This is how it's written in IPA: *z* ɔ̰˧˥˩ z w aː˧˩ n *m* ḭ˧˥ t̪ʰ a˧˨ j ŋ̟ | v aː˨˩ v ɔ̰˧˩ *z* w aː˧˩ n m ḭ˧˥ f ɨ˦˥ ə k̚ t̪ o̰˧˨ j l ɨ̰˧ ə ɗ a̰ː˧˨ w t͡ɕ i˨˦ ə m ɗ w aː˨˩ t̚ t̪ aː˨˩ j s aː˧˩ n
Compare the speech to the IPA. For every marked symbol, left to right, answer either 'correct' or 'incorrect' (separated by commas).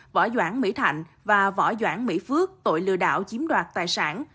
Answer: incorrect, correct, correct